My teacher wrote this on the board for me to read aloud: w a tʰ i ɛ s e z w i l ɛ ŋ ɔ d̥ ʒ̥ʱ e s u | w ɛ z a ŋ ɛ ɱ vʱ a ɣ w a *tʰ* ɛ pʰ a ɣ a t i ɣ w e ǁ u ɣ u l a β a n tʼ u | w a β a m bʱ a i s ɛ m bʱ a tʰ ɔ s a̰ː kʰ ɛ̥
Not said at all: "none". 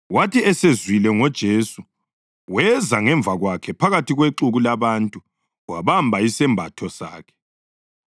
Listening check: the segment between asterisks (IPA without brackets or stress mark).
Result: kʰ